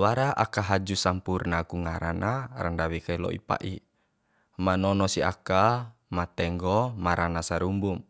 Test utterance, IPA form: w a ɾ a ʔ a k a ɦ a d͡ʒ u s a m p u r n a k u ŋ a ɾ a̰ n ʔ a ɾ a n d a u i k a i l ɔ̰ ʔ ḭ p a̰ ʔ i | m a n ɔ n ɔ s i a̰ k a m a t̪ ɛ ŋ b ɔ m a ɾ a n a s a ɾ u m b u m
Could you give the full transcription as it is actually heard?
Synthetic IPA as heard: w a ɾ a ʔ a k a ɦ a d͡ʒ u s a m p u r n a k u ŋ a ɾ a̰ n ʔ a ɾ a n d a w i k a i l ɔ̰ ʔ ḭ p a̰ ʔ i | m a n ɔ n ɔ s i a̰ k a m a t̪ ɛ ŋ ɡ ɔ m a ɾ a n a s a ɾ u m b u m

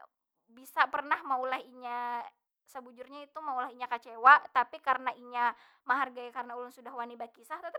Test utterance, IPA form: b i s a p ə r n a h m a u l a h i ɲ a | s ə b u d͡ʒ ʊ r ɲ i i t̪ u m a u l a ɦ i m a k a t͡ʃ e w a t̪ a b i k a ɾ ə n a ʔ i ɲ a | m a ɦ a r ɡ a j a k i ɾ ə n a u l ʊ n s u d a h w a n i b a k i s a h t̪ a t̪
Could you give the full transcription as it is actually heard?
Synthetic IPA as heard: b i s a p ə r n a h m a u l a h i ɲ a | s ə b u d͡ʒ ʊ r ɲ a i t̪ u m a u l a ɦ i ɲ a k a t͡ʃ e w a t̪ a p i k a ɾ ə n a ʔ i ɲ a | m a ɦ a r ɡ a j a k a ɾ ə n a u l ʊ n s u d a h w a n i b a k i s a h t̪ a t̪

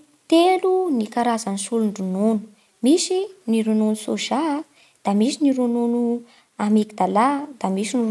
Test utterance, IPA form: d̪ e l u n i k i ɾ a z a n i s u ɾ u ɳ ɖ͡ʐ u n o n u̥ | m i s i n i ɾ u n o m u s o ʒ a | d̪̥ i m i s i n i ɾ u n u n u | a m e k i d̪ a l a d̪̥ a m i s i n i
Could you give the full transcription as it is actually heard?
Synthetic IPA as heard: t̪ e l u n i k a ɾ a z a n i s u l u ɳ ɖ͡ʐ u n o n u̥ | m i s i n i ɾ u n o n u s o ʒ a | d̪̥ a m i s i n i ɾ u n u n u | a m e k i d̪ a l a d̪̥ a m i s i n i

